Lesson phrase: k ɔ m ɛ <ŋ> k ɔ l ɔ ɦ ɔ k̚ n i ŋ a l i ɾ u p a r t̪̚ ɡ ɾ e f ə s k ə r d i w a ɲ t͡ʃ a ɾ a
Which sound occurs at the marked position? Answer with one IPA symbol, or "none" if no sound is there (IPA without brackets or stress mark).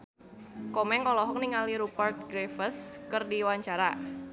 ŋ